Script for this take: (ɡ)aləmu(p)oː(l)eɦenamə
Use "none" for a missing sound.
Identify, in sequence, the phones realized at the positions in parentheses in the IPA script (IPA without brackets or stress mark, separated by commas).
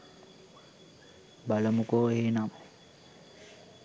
b, k, none